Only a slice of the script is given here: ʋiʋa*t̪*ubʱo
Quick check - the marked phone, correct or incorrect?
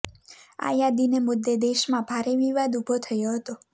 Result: incorrect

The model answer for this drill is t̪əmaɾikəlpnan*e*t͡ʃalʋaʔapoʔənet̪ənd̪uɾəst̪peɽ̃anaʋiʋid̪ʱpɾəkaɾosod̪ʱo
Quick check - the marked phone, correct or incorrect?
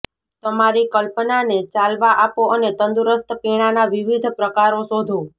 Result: correct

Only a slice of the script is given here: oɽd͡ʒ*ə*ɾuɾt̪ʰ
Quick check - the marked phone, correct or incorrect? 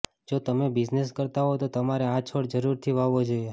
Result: correct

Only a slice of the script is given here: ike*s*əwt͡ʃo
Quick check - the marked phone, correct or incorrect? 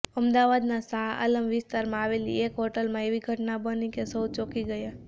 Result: correct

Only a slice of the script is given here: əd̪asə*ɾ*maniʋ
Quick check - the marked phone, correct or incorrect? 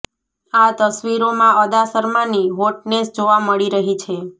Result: correct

